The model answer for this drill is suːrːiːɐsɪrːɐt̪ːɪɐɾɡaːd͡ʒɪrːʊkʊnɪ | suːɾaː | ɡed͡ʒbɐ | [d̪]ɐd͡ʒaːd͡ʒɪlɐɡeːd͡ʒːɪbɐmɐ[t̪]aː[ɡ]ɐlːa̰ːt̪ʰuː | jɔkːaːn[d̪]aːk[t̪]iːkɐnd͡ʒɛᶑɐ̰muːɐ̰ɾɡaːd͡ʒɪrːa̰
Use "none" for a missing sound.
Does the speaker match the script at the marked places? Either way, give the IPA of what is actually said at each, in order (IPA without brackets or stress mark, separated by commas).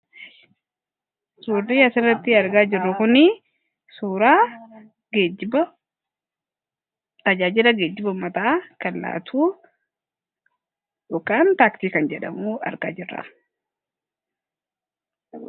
t̪, t̪, k, t̪, t̪